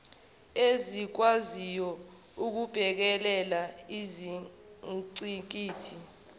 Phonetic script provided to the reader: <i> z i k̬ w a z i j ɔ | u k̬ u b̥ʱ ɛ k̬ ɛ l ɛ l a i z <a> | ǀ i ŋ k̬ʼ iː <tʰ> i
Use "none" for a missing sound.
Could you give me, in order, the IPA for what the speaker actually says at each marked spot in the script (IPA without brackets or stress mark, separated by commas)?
e, i, tʰ